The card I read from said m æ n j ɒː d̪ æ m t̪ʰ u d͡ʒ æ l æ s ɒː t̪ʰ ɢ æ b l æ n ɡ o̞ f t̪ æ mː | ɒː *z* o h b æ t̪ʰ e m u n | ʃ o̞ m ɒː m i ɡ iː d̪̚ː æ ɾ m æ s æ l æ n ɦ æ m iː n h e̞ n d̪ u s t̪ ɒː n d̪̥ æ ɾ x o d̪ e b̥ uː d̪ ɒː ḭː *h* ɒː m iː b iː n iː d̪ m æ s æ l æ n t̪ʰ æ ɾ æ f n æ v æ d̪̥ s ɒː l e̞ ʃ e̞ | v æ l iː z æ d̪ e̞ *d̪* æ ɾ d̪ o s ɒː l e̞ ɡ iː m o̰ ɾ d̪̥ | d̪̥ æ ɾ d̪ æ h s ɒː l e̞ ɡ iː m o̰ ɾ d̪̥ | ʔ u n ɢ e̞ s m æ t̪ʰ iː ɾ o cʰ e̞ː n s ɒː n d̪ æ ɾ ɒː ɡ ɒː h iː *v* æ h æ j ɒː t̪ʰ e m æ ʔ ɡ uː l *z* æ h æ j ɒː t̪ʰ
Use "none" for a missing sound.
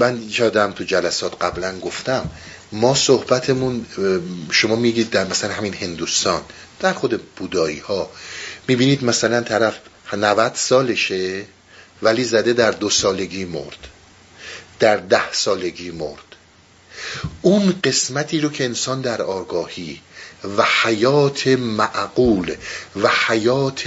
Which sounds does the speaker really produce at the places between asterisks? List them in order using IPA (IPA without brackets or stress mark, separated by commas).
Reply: s, h, d̪, v, v